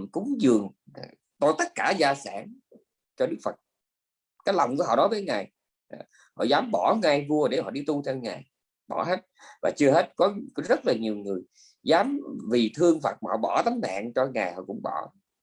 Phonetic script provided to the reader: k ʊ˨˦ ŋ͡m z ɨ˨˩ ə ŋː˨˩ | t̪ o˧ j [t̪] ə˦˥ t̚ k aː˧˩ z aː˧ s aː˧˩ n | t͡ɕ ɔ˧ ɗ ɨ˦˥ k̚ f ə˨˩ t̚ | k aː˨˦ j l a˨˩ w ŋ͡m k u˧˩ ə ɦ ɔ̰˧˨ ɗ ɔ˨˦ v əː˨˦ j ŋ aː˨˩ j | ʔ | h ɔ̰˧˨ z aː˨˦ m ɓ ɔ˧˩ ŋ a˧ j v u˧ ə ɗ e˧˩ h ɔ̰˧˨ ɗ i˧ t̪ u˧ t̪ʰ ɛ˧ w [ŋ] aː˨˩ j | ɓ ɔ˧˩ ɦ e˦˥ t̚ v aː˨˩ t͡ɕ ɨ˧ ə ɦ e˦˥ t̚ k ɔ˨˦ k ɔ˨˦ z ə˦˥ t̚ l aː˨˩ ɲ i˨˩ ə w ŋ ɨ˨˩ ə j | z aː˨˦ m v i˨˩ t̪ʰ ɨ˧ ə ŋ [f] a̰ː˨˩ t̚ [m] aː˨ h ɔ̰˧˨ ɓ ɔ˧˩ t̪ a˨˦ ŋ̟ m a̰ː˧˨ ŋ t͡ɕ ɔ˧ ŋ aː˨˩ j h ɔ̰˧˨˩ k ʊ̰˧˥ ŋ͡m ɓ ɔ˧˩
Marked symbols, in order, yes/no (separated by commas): yes, yes, yes, yes